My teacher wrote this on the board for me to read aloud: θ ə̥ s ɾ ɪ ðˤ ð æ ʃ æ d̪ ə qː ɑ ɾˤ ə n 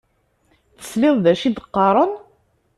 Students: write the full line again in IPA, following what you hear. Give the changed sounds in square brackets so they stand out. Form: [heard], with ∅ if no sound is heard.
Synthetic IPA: θ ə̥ s [l] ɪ ðˤ ð æ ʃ [i] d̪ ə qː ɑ ɾˤ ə n